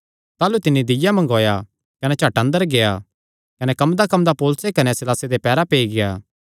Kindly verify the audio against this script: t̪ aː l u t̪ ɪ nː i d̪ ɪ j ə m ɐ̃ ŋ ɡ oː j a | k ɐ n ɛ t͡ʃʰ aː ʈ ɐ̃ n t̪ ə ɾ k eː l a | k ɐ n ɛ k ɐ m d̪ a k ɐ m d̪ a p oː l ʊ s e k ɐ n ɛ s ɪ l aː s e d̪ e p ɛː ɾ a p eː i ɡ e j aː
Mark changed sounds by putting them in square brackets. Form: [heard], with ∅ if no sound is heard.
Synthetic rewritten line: t̪ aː l u t̪ ɪ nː i d̪ ɪ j [a] m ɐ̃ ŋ ɡ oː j a | k ɐ n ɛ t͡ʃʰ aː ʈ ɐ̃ n [d̪] ə ɾ [ɡ] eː [∅] a | k ɐ n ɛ k ɐ m d̪ a k ɐ m d̪ a p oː l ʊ s e k ɐ n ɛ s ɪ l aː s e d̪ e p ɛː ɾ a p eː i ɡ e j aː

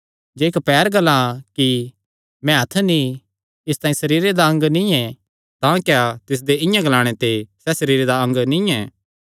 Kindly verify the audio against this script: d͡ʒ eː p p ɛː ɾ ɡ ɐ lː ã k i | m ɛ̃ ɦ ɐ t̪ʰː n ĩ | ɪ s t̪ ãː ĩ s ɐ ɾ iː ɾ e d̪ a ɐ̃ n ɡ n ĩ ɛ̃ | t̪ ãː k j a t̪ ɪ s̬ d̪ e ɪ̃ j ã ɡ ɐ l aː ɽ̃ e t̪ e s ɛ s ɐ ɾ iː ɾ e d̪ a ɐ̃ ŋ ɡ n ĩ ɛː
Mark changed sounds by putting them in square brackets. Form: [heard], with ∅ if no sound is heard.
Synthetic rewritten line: d͡ʒ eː [k] p ɛː ɾ ɡ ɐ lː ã k i | m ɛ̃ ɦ ɐ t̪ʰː n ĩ | ɪ s t̪ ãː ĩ s ɐ ɾ iː ɾ e d̪ a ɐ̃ [ŋ] ɡ n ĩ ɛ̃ | t̪ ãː k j a t̪ ɪ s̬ d̪ e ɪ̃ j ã ɡ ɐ l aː ɽ̃ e t̪ e s ɛ s ɐ ɾ iː ɾ e d̪ a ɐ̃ ŋ ɡ n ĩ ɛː

